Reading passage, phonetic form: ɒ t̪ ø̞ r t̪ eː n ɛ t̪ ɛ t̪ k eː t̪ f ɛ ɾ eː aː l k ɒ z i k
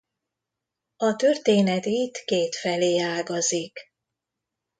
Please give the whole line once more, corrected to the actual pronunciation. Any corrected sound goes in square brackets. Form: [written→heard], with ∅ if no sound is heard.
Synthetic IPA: ɒ t̪ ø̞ r t̪ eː n ɛ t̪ [ɛ→i] t̪ k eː t̪ f ɛ [ɾ→l] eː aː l [k→ɡ] ɒ z i k

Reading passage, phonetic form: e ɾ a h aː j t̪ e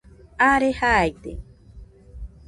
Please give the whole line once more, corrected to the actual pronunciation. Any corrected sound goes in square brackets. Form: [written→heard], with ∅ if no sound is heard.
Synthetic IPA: [e→a] ɾ [a→e] h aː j t̪ e

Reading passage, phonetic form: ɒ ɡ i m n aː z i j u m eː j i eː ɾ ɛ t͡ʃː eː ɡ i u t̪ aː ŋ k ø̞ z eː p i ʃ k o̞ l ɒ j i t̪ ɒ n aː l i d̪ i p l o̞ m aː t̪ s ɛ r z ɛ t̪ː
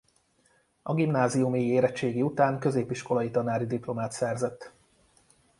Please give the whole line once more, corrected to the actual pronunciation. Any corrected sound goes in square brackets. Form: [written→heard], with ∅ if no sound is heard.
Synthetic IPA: ɒ ɡ i m n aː z i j u m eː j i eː ɾ ɛ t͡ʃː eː ɡ i u t̪ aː ŋ k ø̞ z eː p i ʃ k o̞ l ɒ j i t̪ ɒ n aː [l→ɾ] i d̪ i p l o̞ m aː t̪ s ɛ r z ɛ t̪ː

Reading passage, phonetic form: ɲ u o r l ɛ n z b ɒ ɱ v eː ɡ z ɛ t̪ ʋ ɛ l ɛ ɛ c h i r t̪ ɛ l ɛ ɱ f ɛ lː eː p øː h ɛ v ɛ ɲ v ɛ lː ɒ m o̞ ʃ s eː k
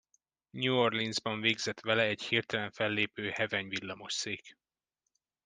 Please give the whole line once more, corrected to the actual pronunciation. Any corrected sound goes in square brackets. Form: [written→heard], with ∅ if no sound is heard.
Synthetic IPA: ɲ u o r l [ɛ→i] n z b ɒ ɱ v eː ɡ z ɛ t̪ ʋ ɛ l ɛ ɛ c h i r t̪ ɛ l ɛ ɱ f ɛ lː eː p øː h ɛ v ɛ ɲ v [ɛ→i] lː ɒ m o̞ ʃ s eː k

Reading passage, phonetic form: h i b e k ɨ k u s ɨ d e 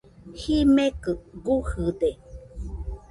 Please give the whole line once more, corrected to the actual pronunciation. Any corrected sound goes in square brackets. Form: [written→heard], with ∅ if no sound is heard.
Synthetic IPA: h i [b→m] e k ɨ [k→ɡ] u [s→h] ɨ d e

